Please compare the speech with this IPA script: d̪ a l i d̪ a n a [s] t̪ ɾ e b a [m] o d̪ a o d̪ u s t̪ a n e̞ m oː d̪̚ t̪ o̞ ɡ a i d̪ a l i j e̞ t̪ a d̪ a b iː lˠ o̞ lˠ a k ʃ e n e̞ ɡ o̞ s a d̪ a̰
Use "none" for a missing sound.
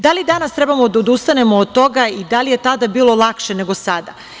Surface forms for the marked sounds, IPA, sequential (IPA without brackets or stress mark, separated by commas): s, m